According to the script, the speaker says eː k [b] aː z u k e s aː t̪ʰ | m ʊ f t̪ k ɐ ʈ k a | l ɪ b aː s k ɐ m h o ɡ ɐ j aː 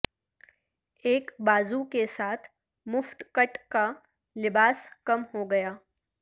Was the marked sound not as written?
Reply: no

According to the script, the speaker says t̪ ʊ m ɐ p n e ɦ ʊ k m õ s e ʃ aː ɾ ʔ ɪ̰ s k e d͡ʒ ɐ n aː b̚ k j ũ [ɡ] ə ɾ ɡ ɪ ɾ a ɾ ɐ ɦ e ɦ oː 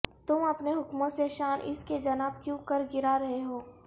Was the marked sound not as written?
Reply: yes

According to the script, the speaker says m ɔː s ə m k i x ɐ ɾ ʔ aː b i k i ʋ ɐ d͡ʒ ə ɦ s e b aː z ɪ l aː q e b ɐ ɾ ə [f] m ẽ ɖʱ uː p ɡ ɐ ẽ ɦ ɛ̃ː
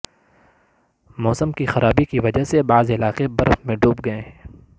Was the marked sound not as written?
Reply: no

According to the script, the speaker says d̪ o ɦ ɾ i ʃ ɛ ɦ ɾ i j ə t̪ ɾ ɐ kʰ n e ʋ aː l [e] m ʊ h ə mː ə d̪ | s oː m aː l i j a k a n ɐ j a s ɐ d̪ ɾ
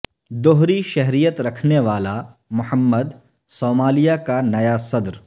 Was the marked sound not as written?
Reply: yes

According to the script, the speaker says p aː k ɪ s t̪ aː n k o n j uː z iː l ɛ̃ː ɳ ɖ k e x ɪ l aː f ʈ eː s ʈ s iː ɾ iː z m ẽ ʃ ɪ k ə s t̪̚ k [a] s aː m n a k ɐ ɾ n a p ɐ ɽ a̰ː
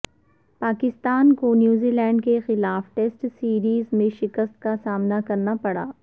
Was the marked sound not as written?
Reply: no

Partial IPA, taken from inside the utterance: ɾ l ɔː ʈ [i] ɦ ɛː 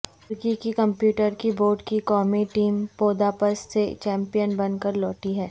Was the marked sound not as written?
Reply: no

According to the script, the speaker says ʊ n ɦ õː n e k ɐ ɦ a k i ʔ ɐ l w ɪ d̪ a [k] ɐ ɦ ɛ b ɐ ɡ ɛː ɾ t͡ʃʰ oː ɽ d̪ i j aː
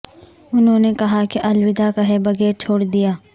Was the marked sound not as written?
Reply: no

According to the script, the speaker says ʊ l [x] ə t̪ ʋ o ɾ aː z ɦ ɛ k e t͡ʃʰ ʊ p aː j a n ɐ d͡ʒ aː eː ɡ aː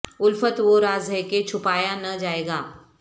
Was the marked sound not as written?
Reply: yes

